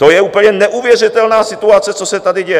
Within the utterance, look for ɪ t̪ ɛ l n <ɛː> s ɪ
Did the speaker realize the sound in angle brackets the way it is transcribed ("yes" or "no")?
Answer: no